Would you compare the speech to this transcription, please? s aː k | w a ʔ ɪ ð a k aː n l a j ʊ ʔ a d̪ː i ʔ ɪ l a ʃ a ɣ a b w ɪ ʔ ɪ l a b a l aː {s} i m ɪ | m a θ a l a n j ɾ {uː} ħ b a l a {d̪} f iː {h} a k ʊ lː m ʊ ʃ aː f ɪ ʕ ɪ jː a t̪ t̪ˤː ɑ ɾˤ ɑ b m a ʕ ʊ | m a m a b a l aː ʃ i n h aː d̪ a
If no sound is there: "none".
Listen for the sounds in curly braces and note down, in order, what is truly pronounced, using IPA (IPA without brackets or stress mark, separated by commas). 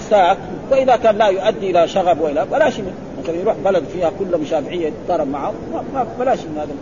ʃ, uː, d̪, h